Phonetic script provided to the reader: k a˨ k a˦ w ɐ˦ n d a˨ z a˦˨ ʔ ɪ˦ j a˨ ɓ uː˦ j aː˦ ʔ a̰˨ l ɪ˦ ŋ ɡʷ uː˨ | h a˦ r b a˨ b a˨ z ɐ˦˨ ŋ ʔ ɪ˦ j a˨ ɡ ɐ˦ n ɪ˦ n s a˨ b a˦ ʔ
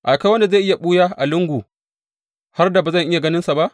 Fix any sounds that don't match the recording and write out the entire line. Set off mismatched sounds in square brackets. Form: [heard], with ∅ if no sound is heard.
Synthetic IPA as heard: [ʔ] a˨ k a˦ w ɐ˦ n d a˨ z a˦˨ ʔ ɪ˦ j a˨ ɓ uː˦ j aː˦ ʔ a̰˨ l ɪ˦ ŋ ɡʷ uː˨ | h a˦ r [d] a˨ b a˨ z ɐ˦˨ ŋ ʔ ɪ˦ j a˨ ɡ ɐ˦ n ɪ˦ n s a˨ b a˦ ʔ